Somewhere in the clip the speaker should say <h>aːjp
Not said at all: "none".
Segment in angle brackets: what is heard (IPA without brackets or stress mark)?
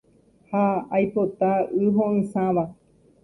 h